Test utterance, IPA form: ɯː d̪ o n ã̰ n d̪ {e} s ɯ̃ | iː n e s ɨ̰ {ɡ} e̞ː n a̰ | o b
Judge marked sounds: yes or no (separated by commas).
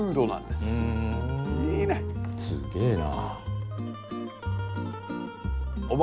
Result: yes, yes